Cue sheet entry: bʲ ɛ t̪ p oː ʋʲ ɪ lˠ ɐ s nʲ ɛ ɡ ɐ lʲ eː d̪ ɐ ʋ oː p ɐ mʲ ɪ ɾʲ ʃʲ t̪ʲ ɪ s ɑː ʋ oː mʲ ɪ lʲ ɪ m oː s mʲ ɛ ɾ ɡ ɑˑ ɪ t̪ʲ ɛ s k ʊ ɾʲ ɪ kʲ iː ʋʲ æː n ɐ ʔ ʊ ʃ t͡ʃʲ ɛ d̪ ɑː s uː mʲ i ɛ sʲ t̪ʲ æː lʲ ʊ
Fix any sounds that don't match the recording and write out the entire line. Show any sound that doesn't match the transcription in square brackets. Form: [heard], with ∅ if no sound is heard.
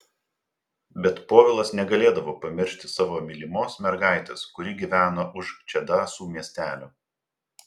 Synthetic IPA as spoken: bʲ ɛ t̪ p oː ʋʲ ɪ lˠ ɐ s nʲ ɛ ɡ ɐ lʲ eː d̪ ɐ ʋ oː p ɐ mʲ ɪ ɾʲ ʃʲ t̪ʲ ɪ s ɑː ʋ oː mʲ ɪ lʲ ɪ m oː s mʲ ɛ ɾ ɡ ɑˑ ɪ t̪ʲ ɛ s k ʊ ɾʲ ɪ [ɡʲ] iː ʋʲ æː n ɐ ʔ ʊ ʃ t͡ʃʲ ɛ d̪ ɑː s uː mʲ i ɛ sʲ t̪ʲ æː lʲ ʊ